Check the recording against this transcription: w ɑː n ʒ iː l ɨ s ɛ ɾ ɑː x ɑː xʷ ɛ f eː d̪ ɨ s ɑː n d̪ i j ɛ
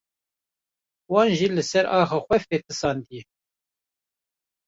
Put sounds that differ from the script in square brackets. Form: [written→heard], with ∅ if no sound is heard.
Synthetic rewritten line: w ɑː n ʒ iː l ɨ s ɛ ɾ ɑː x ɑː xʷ ɛ f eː [d̪→t̪] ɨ s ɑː n d̪ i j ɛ